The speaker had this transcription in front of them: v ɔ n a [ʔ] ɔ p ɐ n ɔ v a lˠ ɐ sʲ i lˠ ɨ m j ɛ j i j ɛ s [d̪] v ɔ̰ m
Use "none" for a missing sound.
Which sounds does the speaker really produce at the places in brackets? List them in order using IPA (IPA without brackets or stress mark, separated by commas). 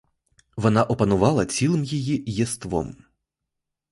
ʔ, t̪